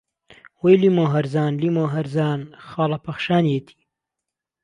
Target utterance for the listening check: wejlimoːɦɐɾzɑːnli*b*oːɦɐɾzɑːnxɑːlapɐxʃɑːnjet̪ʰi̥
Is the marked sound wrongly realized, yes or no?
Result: yes